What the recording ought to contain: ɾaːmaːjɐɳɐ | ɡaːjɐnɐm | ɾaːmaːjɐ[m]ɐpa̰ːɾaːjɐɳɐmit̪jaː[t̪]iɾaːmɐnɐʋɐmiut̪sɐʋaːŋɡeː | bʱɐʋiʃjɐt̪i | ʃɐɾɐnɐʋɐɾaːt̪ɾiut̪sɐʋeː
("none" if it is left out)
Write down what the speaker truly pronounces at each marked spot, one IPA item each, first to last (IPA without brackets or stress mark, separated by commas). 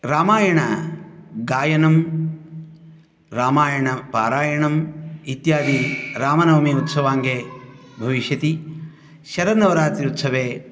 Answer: ɳ, d̪